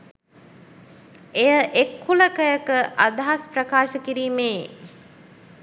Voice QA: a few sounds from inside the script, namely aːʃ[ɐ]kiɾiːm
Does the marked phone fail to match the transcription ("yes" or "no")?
yes